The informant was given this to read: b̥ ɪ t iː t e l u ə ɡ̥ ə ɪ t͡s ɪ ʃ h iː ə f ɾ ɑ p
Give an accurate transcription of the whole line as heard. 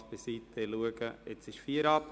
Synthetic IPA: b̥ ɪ s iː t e l u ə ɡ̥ ə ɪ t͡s ɪ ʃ f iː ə ɾ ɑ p